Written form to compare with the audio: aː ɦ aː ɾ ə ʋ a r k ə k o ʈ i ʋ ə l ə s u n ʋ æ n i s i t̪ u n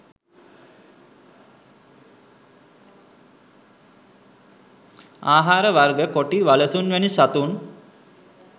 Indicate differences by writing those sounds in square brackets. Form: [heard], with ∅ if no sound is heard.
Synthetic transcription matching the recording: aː ɦ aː ɾ ə ʋ a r [ɡ] ə k o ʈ i ʋ [a] l ə s u n ʋ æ n i s [a] t̪ u n